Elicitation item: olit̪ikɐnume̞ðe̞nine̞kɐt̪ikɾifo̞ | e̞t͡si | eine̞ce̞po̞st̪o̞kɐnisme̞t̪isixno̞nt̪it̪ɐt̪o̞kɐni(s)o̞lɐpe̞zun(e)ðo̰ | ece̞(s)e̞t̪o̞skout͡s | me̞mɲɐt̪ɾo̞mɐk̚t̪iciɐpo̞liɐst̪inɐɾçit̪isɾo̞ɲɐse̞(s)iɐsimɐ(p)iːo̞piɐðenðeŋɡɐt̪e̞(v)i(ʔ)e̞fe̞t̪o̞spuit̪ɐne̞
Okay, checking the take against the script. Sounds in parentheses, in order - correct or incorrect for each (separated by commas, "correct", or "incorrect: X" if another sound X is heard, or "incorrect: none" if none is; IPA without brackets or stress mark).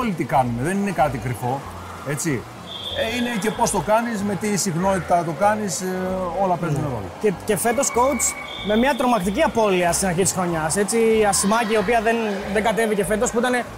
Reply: correct, correct, incorrect: f, incorrect: t͡s, incorrect: c, correct, incorrect: c